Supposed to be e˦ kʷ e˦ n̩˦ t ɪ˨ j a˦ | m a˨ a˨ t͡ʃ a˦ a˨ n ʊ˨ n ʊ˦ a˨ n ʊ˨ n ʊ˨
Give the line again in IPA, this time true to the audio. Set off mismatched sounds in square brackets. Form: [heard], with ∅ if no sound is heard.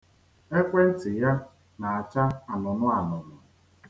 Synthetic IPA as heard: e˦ kʷ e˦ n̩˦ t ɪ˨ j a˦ | [n] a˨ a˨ t͡ʃ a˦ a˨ n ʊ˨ n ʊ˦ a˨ n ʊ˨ n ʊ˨